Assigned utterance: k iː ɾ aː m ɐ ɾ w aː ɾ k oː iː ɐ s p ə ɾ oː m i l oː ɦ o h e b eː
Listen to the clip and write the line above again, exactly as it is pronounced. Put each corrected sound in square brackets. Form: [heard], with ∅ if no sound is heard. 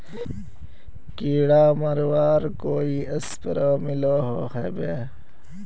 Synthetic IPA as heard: k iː [ɽ] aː m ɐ ɾ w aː ɾ k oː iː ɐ s p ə ɾ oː m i l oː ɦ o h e b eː